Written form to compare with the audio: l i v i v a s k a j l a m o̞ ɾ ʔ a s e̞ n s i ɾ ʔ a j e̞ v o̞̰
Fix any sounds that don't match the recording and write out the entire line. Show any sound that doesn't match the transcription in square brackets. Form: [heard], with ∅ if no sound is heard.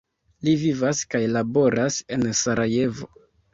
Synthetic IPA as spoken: l i v i v a s k a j l a [b] o̞ ɾ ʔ a s e̞ n s [a] ɾ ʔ a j e̞ v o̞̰

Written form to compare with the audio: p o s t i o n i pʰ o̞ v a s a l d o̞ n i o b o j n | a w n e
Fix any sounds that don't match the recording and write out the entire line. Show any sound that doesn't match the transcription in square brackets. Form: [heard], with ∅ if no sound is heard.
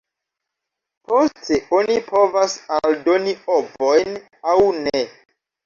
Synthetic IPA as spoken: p o s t [e] o n i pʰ o̞ v a s a l d o̞ n i o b o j n | a w n e

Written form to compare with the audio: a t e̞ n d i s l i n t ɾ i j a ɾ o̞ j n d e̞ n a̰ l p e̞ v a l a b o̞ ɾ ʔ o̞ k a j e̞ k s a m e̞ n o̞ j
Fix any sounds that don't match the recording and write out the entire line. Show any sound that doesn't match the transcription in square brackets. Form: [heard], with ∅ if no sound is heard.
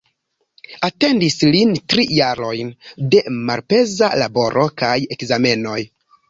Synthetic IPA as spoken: a t e̞ n d i s l i n t ɾ i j a ɾ o̞ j n d e̞ [m] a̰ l p e̞ [z] a l a b o̞ ɾ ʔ o̞ k a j e̞ k [z] a m e̞ n o̞ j

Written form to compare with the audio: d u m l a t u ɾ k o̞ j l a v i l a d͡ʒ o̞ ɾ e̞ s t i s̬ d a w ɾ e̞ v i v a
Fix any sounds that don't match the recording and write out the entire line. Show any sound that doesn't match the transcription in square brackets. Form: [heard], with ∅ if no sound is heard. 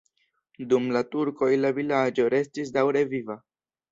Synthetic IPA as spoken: d u m l a t u ɾ k o̞ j l a v i l a d͡ʒ o̞ ɾ e̞ s t i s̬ d a w ɾ e̞ v i v a

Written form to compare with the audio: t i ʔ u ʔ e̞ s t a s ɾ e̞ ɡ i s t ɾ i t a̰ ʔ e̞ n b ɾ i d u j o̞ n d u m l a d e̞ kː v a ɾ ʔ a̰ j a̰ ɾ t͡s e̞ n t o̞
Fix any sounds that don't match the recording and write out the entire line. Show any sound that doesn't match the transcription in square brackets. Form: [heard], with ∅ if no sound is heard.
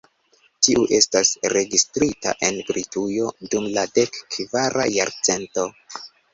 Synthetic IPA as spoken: t i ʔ u ʔ e̞ s t a s ɾ e̞ ɡ i s t ɾ i t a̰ ʔ e̞ n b ɾ i [t] u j o̞ [∅] d u m l a d e̞ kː v a ɾ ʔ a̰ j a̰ ɾ t͡s e̞ n t o̞

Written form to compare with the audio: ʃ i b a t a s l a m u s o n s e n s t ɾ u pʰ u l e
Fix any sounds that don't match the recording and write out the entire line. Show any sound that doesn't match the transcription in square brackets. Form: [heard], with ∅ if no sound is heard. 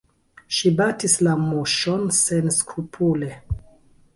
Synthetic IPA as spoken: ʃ i b a t [i] s l a m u [ʃ] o n s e n s [k] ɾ u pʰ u l e

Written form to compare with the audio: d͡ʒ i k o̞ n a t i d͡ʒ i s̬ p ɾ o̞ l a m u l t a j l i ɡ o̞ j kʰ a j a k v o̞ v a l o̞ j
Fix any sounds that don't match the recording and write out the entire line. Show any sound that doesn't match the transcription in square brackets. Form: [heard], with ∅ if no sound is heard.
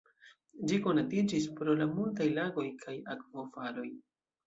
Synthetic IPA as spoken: d͡ʒ i k o̞ n a t i d͡ʒ i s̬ p ɾ o̞ l a m u l t a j l [a] ɡ o̞ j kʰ a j a k v o̞ [f] a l o̞ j

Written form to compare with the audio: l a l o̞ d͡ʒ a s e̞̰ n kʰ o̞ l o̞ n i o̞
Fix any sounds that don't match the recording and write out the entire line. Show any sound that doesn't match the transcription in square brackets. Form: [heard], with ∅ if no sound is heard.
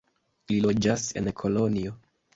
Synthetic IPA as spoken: l [i] l o̞ d͡ʒ a s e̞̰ n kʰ o̞ l o̞ n i o̞

